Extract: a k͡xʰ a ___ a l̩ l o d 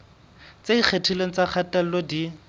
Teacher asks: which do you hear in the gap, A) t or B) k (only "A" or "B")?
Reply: A